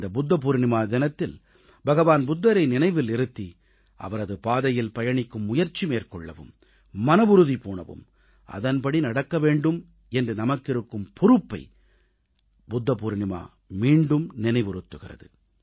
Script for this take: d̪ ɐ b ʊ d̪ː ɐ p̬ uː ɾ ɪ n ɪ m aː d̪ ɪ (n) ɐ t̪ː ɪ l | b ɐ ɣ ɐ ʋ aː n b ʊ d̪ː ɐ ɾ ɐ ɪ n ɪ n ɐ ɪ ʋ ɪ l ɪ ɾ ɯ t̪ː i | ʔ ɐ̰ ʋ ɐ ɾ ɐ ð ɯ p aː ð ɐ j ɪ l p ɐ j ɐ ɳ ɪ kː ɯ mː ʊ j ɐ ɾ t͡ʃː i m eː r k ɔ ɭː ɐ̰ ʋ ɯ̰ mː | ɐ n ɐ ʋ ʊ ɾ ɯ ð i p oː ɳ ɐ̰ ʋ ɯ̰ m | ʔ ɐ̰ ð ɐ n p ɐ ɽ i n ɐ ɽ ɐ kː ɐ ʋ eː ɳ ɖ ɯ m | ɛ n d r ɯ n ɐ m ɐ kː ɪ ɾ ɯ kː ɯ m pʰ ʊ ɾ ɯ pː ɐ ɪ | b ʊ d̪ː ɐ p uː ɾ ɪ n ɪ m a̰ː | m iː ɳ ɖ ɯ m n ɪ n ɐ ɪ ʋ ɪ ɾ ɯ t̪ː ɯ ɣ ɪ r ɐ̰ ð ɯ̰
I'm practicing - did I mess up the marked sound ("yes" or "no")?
no